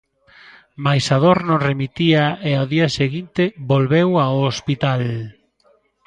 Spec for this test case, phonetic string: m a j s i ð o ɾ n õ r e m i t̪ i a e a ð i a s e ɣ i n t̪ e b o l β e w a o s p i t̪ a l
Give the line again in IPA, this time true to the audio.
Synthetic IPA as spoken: m a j s a ð o ɾ n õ r e m i t̪ i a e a ð i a s e ɣ i n t̪ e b o l β e w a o s p i t̪ a l